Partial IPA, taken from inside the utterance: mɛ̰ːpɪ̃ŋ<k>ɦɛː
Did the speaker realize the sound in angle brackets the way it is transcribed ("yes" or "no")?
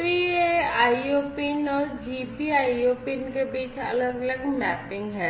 no